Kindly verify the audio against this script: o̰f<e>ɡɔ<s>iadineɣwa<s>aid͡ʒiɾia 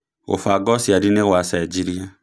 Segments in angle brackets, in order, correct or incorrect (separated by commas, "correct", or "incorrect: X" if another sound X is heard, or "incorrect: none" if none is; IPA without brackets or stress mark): incorrect: a, correct, correct